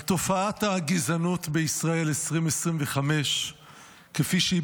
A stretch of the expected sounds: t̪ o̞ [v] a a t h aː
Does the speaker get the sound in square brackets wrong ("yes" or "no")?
yes